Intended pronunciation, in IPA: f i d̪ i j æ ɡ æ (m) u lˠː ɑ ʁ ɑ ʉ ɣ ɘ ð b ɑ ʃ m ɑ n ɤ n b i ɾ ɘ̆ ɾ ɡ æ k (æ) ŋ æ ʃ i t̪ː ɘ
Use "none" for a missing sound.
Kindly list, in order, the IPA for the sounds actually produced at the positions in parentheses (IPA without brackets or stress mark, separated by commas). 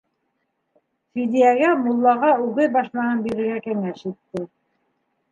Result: m, æ